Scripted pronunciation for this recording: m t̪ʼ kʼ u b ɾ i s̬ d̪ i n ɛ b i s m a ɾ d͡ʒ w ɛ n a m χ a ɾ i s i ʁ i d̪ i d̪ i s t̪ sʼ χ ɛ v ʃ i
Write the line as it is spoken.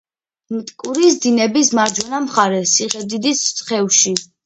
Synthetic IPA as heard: m t̪ʼ kʼ u ɾ i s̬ d̪ i n ɛ b i s m a ɾ d͡ʒ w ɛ n a m χ a ɾ ɛ s i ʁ ɛ d̪ i d̪ i s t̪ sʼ χ ɛ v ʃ i